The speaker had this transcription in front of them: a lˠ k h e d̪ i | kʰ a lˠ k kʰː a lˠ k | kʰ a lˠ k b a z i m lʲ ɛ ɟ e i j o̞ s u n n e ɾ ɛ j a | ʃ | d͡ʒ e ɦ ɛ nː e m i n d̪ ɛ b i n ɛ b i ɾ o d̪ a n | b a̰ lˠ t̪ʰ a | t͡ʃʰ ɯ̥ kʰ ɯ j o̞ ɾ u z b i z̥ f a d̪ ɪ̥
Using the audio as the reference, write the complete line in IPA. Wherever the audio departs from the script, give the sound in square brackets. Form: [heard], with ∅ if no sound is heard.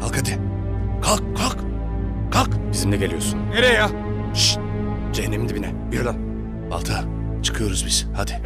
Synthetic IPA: a lˠ k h [a] d̪ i | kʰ a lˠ k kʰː a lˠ k | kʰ a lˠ k b [i] z i m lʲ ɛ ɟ e i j o̞ s u n n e ɾ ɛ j a | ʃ | d͡ʒ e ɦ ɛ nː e m i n d̪ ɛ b i n ɛ b i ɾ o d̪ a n | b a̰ lˠ t̪ʰ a | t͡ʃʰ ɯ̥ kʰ ɯ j o̞ ɾ u z b i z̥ [h] a d̪ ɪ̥

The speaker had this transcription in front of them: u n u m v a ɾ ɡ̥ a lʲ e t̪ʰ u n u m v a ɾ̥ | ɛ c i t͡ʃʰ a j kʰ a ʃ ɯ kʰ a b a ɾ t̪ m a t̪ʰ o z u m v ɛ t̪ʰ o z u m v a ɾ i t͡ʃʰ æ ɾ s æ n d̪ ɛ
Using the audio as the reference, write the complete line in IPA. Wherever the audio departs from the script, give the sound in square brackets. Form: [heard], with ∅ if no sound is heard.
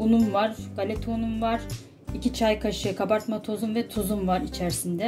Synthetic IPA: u n u m v a ɾ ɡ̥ a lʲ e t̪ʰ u n u m v a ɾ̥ | [i] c i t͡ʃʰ a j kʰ a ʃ ɯ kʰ a b a ɾ t̪ m a t̪ʰ o z u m v ɛ t̪ʰ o z u m v a ɾ i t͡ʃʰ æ ɾ s [i] n d̪ ɛ

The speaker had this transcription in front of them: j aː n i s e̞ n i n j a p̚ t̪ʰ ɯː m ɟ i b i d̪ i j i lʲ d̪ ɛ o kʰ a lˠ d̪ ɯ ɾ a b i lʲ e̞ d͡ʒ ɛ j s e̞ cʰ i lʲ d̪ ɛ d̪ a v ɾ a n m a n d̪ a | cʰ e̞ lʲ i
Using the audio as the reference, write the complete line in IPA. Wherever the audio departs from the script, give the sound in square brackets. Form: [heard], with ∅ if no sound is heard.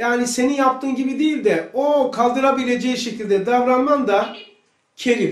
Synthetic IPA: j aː n i s e̞ n i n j a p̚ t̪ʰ ɯː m ɟ i b i d̪ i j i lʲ d̪ ɛ o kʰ a lˠ d̪ ɯ ɾ a b i lʲ e̞ d͡ʒ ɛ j [ʃ] e̞ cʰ i lʲ d̪ ɛ d̪ a v ɾ a n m a n d̪ a | cʰ e̞ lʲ i

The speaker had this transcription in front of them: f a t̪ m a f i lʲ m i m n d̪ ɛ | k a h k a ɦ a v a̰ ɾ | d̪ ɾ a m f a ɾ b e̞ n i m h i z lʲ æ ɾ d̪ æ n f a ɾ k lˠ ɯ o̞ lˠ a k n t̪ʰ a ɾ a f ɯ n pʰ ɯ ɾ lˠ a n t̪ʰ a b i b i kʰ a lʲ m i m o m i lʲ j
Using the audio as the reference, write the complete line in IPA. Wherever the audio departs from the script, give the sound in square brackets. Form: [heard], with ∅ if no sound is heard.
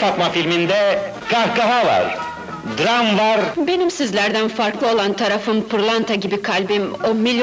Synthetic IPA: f a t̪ m a f i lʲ m i [∅] n d̪ ɛ | k a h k a ɦ a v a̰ ɾ | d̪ ɾ a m [v] a ɾ b e̞ n i m [s] i z lʲ æ ɾ d̪ æ n f a ɾ k lˠ ɯ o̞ lˠ a [∅] n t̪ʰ a ɾ a f ɯ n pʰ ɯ ɾ lˠ a n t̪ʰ a [ɟ] i b i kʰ a lʲ [b] i m o m i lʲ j

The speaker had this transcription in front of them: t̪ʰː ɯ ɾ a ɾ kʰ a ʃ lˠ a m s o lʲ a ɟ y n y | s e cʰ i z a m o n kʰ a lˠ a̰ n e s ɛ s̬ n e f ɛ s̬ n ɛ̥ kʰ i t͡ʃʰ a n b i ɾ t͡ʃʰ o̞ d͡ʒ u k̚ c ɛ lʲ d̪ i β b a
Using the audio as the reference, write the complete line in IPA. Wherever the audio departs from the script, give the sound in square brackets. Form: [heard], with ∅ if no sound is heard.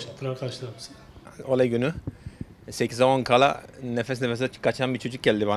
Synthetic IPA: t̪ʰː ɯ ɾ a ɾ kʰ a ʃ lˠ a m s o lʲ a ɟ y n y | s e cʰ i z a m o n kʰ a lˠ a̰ n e [f] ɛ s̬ n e f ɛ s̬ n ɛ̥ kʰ [a] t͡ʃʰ a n b i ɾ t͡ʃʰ o̞ d͡ʒ u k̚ [ɟ] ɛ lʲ d̪ i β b a

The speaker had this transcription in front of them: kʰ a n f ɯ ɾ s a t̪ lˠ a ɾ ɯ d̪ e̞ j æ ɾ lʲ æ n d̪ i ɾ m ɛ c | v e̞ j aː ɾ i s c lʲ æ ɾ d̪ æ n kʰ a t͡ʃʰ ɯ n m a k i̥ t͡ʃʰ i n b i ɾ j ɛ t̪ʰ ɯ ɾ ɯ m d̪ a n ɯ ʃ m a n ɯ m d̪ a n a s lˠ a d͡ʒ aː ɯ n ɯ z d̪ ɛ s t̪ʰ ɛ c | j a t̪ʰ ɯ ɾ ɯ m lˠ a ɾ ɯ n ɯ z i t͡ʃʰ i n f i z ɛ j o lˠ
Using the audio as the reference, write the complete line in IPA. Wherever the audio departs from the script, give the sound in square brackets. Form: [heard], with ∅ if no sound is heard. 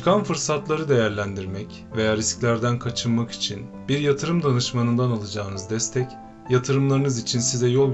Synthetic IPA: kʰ a n f ɯ ɾ s a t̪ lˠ a ɾ ɯ d̪ e̞ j æ ɾ lʲ æ n d̪ i ɾ m ɛ c | v e̞ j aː ɾ i s c lʲ æ ɾ d̪ æ n kʰ a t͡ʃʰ ɯ n m a k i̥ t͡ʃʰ i n b i ɾ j [a] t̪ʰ ɯ ɾ ɯ m d̪ a n ɯ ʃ m a n ɯ [n] d̪ a n a [∅] lˠ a d͡ʒ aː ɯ n ɯ z d̪ ɛ s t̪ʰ ɛ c | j a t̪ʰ ɯ ɾ ɯ m lˠ a ɾ ɯ n ɯ z i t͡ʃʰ i n [s] i z ɛ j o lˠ

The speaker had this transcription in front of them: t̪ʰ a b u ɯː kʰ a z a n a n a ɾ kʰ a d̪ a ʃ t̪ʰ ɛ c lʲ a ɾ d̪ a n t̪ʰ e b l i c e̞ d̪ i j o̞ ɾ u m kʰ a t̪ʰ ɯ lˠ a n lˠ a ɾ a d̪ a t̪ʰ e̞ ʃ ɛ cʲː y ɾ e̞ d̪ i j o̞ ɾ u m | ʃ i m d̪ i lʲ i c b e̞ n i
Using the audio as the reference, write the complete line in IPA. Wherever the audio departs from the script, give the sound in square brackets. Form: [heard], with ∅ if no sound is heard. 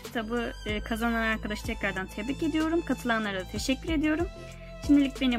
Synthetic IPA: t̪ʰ a b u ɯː kʰ a z a n a n a ɾ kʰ a d̪ a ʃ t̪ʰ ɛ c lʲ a ɾ d̪ a n t̪ʰ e b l i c e̞ d̪ i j o̞ ɾ u m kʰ a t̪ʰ ɯ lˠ a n lˠ a ɾ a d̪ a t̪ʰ e̞ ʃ ɛ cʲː y ɾ e̞ d̪ i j o̞ ɾ u m | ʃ i m d̪ i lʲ i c b e̞ n i

